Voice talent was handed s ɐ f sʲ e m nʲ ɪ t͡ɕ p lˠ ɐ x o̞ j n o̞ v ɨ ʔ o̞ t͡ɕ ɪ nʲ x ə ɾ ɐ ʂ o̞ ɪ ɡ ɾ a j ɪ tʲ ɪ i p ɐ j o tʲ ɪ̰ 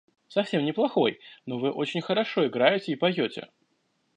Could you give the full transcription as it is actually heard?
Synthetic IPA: s ɐ f sʲ e m nʲ ɪ p lˠ ɐ x o̞ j n o̞ v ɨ ʔ o̞ t͡ɕ ɪ nʲ x ə ɾ ɐ ʂ o̞ ɪ ɡ ɾ a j ɪ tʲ ɪ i p ɐ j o tʲ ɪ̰